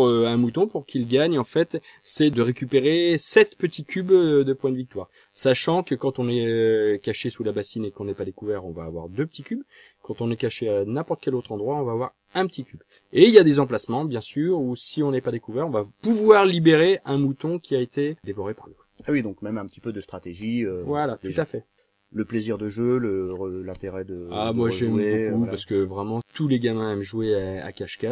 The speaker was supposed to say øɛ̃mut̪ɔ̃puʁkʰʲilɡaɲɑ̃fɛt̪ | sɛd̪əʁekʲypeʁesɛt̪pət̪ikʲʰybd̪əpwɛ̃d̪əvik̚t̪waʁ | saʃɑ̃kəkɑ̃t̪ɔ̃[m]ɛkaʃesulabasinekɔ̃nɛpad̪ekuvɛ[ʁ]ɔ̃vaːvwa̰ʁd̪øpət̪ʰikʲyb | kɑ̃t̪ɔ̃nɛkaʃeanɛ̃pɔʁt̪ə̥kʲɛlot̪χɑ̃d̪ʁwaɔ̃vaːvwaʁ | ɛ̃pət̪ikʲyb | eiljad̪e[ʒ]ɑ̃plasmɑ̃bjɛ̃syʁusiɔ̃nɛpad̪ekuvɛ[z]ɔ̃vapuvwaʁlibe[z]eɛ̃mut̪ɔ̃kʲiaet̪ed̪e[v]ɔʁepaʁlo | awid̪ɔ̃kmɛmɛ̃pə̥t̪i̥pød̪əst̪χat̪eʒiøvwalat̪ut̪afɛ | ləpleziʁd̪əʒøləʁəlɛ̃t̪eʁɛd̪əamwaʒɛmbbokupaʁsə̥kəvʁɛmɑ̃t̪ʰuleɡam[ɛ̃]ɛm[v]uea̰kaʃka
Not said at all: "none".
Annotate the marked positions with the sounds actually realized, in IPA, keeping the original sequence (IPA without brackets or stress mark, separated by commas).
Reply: n, ʁ, z, ʁ, ʁ, v, ɛ̃, ʒ